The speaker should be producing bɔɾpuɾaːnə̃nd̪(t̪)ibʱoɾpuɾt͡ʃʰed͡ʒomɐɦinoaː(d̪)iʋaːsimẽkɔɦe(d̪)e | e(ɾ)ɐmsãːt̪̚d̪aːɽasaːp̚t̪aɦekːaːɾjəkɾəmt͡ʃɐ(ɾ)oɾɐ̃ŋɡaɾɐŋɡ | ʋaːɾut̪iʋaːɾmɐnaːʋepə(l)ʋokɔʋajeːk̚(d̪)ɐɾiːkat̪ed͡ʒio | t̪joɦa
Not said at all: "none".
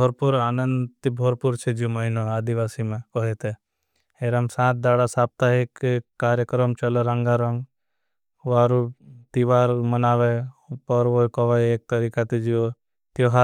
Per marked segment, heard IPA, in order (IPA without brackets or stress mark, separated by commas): t̪, d̪, t̪, ɾ, l, ɾ, t̪